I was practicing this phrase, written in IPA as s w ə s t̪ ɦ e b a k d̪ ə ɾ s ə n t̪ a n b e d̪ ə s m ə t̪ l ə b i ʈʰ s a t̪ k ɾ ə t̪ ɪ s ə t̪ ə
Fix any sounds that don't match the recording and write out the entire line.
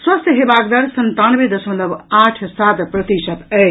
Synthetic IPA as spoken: s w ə s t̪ ɦ e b a k d̪ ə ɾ s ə n t̪ a n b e d̪ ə s m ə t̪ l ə b a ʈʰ s a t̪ p ɾ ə t̪ i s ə t̪ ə